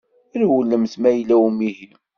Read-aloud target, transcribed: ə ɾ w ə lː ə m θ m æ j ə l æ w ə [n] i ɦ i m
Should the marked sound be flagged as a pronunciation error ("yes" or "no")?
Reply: yes